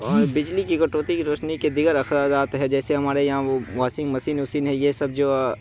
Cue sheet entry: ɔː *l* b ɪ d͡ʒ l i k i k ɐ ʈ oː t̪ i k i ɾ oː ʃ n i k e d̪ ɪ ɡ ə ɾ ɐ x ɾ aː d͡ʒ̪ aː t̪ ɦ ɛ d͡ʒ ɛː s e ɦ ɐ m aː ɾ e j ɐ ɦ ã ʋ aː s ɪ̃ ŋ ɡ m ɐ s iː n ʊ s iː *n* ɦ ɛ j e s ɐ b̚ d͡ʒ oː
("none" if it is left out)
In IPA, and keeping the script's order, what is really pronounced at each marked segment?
ɾ, n

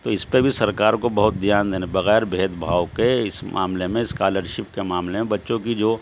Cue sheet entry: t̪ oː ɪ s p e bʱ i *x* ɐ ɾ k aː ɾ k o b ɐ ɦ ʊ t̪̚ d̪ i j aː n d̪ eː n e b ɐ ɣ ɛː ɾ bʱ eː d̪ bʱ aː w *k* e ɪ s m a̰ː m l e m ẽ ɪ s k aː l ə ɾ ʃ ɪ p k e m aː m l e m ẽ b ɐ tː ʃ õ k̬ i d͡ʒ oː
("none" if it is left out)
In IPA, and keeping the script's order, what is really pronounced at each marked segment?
s, k

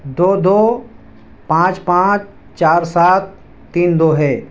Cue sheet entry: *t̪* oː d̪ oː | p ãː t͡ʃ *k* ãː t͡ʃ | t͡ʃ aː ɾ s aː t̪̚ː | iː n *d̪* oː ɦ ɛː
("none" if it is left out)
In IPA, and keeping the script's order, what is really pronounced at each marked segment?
d̪, p, d̪

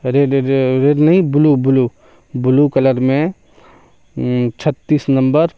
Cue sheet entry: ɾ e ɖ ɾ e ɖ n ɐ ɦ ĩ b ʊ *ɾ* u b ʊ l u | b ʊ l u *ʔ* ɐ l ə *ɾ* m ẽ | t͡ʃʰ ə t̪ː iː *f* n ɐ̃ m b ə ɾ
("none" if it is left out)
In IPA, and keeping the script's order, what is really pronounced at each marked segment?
l, k, ɾ, s

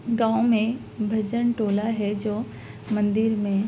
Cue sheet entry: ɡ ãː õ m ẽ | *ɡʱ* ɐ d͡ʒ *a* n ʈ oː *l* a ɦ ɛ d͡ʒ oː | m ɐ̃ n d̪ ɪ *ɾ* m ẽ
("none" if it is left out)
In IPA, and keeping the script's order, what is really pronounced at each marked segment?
bʱ, ə, l, ɾ

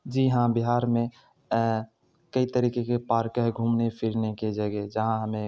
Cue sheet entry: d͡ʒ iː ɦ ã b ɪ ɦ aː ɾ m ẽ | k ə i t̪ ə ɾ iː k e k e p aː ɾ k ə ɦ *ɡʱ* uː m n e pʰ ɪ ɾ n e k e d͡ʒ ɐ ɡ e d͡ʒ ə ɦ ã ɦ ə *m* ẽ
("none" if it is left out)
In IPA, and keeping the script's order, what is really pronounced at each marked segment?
ɡʱ, m

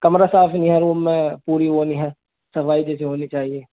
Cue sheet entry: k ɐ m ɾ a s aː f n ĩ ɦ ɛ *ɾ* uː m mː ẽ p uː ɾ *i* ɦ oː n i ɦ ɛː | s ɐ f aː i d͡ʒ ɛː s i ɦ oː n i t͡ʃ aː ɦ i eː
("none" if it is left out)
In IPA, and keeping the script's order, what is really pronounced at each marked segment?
ɾ, i

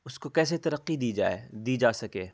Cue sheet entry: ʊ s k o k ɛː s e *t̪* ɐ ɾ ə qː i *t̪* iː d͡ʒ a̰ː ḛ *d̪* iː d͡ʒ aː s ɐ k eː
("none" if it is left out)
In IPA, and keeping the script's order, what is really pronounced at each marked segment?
t̪, d̪, d̪

